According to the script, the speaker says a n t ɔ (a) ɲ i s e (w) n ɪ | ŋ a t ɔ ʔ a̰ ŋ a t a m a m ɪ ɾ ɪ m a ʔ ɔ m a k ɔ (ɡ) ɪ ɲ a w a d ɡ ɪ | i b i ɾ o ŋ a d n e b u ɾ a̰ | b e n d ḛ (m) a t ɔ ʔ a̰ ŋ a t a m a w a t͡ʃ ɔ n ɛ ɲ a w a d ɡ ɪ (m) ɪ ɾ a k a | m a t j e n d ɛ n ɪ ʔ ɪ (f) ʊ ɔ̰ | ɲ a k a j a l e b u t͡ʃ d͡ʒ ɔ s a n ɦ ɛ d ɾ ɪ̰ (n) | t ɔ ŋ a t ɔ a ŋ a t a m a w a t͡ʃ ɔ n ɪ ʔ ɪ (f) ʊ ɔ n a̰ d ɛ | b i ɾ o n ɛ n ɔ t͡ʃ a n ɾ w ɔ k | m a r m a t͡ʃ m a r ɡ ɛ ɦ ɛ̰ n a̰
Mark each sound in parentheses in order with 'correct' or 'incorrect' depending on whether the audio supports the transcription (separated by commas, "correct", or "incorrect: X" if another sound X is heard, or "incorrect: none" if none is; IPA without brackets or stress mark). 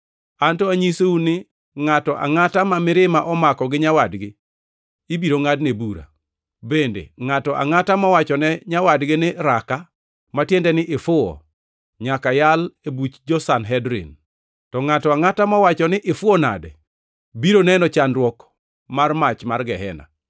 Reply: correct, incorrect: u, correct, incorrect: ŋ, incorrect: n, correct, correct, correct